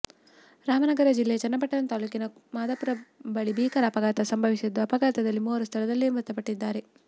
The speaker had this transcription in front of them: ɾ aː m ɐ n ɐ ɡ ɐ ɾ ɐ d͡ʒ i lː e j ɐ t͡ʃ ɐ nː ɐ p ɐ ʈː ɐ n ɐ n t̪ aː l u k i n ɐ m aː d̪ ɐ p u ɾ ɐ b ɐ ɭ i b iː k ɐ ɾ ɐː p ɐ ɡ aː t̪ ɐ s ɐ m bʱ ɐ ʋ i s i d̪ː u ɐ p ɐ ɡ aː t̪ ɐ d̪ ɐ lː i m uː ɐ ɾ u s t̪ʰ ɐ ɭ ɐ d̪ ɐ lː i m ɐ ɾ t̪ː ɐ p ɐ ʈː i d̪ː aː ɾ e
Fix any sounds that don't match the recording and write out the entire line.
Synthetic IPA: ɾ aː m ɐ n ɐ ɡ ɐ ɾ ɐ d͡ʒ i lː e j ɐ t͡ʃ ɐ nː ɐ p ɐ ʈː ɐ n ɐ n t̪ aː l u k i n ɐ m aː d̪ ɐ p u ɾ ɐ b ɐ ɭ i b iː k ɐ ɾ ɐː p ɐ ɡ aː t̪ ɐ s ɐ m bʱ ɐ ʋ i s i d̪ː u ɐ p ɐ ɡ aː t̪ ɐ d̪ ɐ lː i m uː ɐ ɾ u s t̪ʰ ɐ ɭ ɐ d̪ ɐ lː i m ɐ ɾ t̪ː ɐ p ɐ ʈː i d̪ː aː ɾ e